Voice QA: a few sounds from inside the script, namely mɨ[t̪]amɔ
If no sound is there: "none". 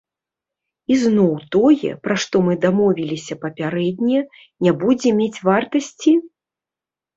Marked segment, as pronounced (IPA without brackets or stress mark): d̪